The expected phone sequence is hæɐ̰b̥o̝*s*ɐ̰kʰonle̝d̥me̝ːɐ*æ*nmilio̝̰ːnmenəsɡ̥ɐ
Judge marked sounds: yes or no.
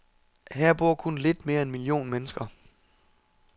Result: no, no

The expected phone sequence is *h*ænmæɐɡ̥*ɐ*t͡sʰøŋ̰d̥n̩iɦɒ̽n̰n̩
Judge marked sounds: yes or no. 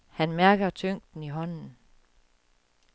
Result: yes, yes

